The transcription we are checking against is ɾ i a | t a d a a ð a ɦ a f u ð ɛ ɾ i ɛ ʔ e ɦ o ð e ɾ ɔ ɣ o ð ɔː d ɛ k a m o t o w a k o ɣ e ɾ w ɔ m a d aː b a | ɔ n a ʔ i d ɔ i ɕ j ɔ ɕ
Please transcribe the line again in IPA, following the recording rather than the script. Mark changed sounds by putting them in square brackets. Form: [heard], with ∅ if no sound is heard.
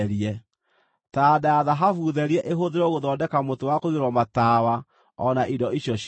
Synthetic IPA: ɾ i [ɛ] | t a d a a ð a ɦ a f u ð ɛ ɾ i ɛ ʔ e ɦ o ð e ɾ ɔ ɣ o ð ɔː d ɛ k a m o t o w a k o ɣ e ɾ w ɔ m a [t] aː [w] a | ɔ n a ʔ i d ɔ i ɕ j ɔ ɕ